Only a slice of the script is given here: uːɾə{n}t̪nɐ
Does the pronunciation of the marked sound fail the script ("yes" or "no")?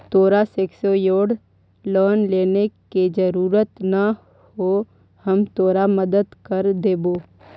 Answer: yes